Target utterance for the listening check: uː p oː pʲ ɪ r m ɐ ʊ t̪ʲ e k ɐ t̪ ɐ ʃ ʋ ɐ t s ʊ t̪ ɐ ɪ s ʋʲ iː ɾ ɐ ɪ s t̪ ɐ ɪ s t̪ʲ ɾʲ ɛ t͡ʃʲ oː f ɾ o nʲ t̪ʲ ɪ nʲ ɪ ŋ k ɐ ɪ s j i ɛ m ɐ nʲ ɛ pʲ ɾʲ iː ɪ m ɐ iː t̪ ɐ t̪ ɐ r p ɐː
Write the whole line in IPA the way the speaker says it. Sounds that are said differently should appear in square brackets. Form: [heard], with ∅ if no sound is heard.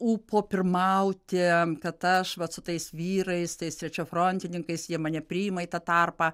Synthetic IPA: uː p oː pʲ ɪ r m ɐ ʊ t̪ʲ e k ɐ t̪ ɐ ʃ ʋ ɐ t s ʊ t̪ ɐ ɪ s ʋʲ iː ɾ ɐ ɪ s t̪ ɐ ɪ s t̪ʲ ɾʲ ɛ t͡ʃʲ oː f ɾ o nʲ t̪ʲ ɪ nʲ ɪ ŋ k ɐ ɪ s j i ɛ m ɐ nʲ ɛ pʲ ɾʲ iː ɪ m ɐ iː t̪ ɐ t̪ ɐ r p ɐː